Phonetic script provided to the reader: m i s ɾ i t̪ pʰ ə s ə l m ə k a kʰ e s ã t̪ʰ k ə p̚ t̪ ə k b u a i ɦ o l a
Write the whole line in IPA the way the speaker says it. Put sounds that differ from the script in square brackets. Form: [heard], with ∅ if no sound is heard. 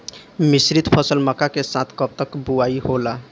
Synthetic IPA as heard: m i s ɾ i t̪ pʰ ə s ə l m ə k a [k] e s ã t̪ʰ k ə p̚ t̪ ə k b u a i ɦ o l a